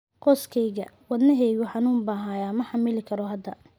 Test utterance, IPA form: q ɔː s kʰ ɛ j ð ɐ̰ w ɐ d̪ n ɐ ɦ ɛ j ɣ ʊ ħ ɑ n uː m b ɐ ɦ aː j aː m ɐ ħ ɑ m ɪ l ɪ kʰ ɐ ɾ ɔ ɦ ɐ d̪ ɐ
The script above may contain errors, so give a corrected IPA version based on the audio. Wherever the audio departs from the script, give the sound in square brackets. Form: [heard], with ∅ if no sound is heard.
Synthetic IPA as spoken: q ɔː s kʰ ɛ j [ɣ] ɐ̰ w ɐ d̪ n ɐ ɦ ɛ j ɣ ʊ ħ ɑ n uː m b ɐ ɦ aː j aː m ɐ ħ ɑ m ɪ l ɪ kʰ ɐ ɾ ɔ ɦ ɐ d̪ ɐ